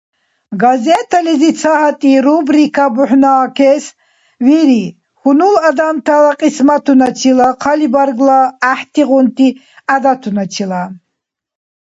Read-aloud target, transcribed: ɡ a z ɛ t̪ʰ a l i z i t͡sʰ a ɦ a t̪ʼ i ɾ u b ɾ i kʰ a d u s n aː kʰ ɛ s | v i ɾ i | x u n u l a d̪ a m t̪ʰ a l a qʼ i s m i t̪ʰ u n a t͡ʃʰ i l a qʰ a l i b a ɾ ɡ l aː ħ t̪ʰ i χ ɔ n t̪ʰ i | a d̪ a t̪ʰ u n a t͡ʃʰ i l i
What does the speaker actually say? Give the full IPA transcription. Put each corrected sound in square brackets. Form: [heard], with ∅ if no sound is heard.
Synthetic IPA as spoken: ɡ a z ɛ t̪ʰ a l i z i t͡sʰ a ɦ a t̪ʼ i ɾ u b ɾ i kʰ a [b] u [ħ] n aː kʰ ɛ s | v i ɾ i | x u n u l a d̪ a m t̪ʰ a l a qʼ i s m [a] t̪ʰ u n a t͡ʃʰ i l a qʰ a l i b a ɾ ɡ l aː ħ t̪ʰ i [ʁ] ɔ n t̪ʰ i | a d̪ a t̪ʰ u n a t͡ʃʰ i l [a]